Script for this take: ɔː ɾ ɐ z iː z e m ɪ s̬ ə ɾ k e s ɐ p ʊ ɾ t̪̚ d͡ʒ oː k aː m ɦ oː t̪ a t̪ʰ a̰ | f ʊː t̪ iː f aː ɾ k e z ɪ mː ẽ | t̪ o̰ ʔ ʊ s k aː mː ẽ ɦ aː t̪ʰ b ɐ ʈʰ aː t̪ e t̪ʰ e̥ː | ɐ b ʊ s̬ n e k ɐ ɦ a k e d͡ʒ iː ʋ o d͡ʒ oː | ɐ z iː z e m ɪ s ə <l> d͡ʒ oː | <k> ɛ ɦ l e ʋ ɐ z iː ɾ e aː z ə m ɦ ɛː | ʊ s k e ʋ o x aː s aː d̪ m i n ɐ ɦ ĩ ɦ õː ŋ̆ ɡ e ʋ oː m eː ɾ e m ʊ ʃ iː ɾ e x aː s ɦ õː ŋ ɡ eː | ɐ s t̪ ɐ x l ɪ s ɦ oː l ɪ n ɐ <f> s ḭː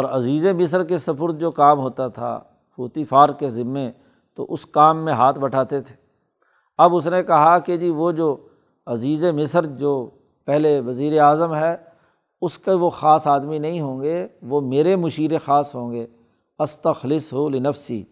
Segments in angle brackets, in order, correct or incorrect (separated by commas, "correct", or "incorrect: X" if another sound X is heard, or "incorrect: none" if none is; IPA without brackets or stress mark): incorrect: ɾ, incorrect: p, correct